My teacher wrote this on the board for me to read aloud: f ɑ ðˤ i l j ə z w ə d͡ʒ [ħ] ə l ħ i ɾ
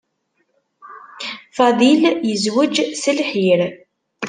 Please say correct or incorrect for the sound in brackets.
incorrect